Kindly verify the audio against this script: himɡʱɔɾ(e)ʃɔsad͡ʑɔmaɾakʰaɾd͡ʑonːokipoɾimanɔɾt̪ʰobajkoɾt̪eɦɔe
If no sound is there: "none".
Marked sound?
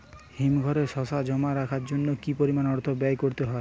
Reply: e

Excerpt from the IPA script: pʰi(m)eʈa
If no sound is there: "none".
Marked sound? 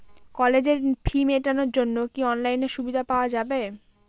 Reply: m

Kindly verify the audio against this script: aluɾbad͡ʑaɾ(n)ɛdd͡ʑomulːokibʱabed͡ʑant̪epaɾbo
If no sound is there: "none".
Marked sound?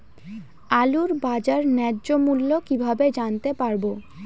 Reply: n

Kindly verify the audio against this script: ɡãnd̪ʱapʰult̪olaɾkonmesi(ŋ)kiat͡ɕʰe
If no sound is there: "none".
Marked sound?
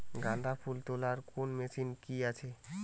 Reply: n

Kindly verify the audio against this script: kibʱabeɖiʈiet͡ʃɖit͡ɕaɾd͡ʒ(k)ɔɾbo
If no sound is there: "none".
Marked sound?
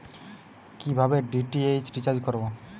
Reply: k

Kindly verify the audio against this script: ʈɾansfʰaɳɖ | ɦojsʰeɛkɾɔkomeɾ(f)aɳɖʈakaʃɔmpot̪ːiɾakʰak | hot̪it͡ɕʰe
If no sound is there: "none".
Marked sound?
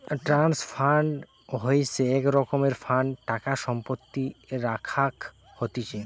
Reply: f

